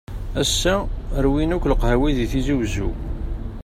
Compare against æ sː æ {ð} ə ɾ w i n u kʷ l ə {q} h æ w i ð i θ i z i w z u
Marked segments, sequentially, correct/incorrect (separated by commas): incorrect, correct